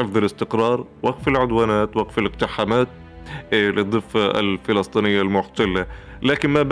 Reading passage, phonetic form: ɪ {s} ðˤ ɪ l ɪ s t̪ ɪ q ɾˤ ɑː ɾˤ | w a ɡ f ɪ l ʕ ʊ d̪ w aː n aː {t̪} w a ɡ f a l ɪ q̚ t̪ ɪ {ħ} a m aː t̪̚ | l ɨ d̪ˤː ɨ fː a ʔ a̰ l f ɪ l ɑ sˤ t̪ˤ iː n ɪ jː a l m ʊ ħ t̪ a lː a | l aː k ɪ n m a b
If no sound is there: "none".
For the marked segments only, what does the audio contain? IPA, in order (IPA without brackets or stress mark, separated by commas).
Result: f, t̪, ħ